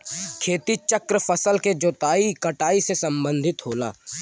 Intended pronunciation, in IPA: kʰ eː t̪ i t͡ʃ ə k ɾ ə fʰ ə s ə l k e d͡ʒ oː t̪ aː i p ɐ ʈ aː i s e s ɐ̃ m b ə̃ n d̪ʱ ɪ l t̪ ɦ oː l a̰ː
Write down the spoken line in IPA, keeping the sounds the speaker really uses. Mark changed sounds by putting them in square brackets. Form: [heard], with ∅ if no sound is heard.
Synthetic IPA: kʰ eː t̪ i t͡ʃ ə k ɾ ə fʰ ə s ə l k e d͡ʒ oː t̪ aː i [k] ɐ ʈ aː i s e s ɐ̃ m b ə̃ n d̪ʱ ɪ [∅] t̪ ɦ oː l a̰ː